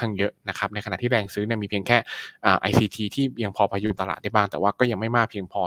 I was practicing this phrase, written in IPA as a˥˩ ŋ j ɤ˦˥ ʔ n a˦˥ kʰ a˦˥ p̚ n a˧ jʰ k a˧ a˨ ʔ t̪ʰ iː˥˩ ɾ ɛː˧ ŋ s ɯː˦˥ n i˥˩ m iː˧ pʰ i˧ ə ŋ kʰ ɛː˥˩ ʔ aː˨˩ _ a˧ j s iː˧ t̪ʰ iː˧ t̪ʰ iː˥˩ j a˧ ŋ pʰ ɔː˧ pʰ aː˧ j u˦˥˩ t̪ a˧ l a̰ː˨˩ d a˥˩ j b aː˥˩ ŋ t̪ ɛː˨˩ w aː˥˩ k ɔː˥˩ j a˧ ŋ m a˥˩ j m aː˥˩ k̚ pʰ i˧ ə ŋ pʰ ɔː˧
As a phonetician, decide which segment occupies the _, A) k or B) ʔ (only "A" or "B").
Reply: B